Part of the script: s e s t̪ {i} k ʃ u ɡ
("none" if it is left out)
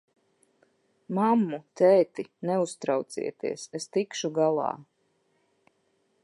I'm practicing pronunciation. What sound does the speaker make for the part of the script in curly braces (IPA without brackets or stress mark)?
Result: i